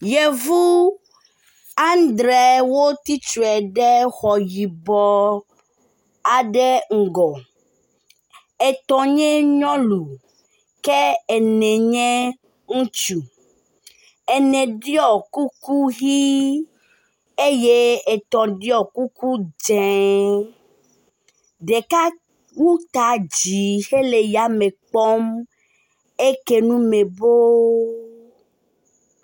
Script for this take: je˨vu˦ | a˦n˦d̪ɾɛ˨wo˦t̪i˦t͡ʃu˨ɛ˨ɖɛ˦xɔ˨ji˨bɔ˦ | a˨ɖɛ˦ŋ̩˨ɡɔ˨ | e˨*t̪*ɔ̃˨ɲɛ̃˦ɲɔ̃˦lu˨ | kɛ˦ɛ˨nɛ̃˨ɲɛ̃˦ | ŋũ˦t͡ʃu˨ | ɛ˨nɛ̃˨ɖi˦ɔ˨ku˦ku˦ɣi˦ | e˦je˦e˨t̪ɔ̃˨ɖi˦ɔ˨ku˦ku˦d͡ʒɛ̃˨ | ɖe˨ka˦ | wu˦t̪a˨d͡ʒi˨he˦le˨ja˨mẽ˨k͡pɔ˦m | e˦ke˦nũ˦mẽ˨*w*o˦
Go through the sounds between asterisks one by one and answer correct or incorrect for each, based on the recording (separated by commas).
correct, incorrect